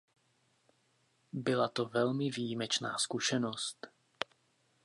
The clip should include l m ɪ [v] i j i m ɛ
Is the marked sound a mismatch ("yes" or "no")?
no